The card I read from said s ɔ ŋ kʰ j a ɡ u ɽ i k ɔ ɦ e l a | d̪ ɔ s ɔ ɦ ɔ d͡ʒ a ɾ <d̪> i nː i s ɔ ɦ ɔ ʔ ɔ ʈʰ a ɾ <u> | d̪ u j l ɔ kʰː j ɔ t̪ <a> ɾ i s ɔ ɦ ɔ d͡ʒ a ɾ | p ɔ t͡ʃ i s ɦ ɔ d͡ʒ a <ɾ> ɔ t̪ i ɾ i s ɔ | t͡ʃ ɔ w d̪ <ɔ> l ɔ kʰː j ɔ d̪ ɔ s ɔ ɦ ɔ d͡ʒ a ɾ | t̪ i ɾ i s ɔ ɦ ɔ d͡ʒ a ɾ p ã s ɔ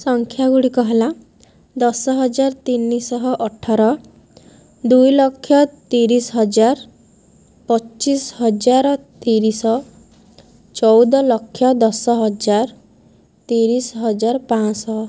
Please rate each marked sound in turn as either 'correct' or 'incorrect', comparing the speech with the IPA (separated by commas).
incorrect, incorrect, incorrect, correct, correct